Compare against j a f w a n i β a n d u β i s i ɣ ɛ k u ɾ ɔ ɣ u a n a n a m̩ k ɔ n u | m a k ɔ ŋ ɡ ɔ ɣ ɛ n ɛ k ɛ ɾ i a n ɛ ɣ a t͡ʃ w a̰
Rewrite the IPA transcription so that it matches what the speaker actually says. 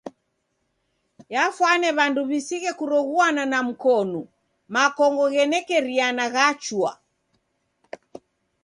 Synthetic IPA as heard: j a f w a n ɛ β a n d u β i s i ɣ ɛ k u ɾ ɔ ɣ u a n a n a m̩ k ɔ n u | m a k ɔ ŋ ɡ ɔ ɣ ɛ n ɛ k ɛ ɾ i a n a ɣ a t͡ʃ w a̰